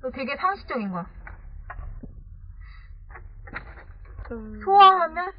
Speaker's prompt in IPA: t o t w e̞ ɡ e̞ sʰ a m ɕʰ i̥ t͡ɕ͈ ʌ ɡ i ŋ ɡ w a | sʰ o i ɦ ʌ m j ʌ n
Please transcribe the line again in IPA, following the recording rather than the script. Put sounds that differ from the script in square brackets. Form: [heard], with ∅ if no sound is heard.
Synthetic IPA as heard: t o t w e̞ ɡ e̞ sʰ a [ŋ] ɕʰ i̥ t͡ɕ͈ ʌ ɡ i [n] ɡ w a | sʰ o [a] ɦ [a] m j ʌ n